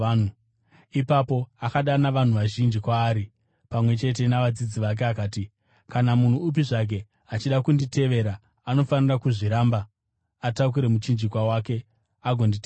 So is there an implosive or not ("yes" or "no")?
yes